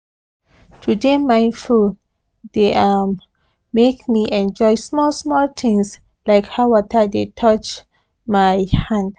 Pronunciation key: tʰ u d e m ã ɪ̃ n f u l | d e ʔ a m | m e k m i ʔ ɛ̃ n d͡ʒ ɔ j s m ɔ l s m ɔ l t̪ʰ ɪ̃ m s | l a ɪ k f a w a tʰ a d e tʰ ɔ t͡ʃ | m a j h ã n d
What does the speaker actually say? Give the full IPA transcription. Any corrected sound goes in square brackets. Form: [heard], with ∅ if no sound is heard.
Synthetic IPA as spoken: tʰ u d e m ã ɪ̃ n f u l | d e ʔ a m | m e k m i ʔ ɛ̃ n d͡ʒ ɔ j s m ɔ l s m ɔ l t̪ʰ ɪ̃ [ŋ] s | l a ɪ k [h] a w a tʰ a d e tʰ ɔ t͡ʃ | m a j h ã n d